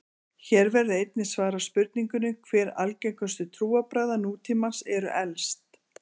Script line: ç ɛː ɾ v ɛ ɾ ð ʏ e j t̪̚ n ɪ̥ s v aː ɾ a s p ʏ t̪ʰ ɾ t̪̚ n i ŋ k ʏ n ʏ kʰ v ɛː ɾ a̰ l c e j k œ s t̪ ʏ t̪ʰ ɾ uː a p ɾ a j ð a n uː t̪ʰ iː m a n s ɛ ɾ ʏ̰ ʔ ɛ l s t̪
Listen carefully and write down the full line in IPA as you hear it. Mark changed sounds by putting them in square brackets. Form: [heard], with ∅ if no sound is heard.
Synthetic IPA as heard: ç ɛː ɾ v ɛ ɾ ð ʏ e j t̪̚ n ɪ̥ s v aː ɾ a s p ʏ [∅] ɾ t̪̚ n i ŋ k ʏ n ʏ kʰ v ɛː ɾ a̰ l c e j k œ s t̪ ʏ t̪ʰ ɾ uː a p ɾ a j ð a n uː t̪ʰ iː m a n s ɛ ɾ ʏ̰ ʔ ɛ l s t̪